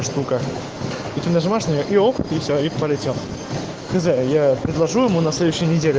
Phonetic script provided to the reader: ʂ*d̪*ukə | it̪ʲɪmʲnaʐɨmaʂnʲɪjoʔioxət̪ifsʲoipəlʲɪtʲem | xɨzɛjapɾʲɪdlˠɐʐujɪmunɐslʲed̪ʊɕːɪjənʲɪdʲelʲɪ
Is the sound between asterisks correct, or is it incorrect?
incorrect